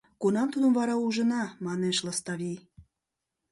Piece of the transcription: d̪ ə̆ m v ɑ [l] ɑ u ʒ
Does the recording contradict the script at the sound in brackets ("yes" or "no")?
yes